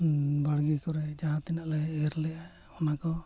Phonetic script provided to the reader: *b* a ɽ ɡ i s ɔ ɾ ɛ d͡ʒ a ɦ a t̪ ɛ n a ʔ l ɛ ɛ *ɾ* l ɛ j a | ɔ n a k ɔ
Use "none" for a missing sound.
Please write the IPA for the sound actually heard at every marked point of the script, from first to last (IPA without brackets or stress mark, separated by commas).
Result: b, ɾ